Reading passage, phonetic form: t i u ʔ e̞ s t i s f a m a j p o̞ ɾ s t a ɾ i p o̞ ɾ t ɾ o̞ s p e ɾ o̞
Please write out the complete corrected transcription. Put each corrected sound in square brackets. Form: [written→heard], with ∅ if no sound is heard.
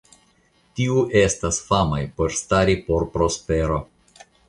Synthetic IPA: t i u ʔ e̞ s t [i→a] s f a m a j p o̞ ɾ s t a ɾ i p o̞ ɾ [t→p] ɾ o̞ s p e ɾ o̞